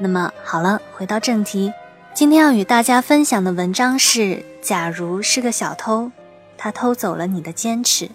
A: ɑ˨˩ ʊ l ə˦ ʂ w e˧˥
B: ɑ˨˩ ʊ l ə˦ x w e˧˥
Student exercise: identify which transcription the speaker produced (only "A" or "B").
B